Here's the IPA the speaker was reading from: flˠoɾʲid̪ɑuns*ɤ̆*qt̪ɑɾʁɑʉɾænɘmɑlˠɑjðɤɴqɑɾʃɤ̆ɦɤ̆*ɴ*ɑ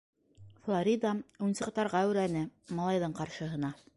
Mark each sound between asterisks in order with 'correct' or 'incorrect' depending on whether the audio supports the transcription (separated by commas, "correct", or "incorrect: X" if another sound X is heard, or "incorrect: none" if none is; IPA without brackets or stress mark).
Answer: correct, incorrect: n